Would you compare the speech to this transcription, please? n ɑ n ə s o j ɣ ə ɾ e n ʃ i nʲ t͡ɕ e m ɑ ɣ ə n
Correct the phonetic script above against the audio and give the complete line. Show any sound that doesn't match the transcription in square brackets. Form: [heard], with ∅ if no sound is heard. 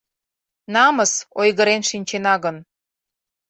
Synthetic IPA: n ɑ [m] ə s o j ɣ ə ɾ e n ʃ i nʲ t͡ɕ e [n] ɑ ɣ ə n